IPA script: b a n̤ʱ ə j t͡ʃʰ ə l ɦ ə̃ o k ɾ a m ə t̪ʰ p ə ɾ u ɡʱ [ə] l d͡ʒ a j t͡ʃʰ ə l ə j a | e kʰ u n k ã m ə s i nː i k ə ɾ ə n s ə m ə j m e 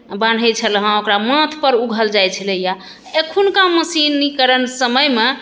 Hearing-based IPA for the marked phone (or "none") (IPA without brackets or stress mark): ə